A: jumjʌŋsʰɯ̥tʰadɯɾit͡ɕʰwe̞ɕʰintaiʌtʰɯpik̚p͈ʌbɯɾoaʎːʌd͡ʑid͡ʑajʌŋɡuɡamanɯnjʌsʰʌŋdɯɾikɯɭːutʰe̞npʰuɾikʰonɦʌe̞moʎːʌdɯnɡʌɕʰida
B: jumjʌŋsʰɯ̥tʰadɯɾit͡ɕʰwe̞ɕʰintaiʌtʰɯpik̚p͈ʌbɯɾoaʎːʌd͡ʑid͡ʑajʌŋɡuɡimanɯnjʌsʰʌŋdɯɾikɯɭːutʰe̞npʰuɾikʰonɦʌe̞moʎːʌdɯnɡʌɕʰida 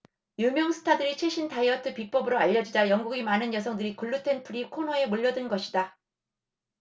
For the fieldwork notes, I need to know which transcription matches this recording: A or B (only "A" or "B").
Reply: B